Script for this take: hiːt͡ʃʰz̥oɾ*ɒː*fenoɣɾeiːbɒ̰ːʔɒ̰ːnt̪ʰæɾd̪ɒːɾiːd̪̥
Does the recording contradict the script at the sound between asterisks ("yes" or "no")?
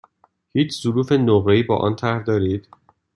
yes